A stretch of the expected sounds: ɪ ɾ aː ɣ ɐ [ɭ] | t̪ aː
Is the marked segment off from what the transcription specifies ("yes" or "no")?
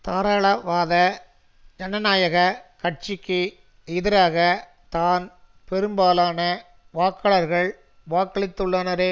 yes